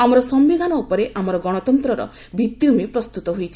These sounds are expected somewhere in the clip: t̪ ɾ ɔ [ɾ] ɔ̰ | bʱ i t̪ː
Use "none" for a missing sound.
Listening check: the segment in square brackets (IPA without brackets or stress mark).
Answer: ɾ